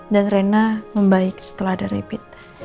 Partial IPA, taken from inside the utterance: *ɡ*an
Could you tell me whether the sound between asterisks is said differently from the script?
yes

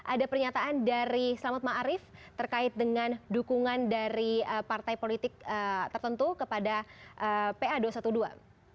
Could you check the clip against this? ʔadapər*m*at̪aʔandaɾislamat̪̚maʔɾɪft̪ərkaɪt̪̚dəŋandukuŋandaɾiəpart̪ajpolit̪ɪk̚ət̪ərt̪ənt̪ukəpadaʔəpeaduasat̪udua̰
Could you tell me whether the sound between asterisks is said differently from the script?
yes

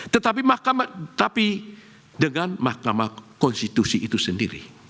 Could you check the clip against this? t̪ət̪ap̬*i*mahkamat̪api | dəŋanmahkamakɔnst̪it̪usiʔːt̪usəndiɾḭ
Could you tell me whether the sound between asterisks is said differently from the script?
no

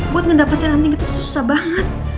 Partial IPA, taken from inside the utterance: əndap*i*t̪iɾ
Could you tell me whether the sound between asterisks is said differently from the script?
yes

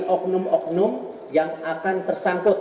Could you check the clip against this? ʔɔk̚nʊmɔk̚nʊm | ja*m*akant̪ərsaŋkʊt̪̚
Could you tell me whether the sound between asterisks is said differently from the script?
yes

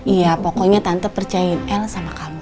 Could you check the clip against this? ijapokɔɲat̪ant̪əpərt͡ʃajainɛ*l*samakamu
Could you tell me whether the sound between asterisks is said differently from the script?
no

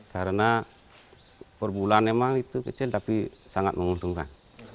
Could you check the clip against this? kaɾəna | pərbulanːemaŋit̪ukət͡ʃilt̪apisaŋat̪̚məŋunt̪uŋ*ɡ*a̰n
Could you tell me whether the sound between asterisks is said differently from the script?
yes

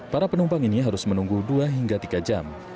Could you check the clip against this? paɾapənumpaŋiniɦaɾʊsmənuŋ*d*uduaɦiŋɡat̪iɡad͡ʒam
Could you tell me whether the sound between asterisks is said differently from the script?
yes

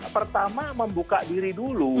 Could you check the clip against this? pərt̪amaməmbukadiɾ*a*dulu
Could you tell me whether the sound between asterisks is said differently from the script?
yes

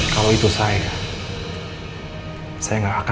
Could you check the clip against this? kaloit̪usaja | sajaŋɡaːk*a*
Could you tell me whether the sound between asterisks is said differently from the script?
no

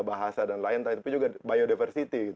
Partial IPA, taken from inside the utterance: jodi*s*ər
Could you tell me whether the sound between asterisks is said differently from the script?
yes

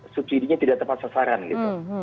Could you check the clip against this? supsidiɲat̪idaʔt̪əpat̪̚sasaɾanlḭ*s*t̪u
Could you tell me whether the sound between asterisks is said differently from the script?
yes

